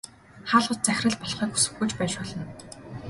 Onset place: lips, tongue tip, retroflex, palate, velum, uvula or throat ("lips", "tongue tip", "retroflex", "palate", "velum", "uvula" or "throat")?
uvula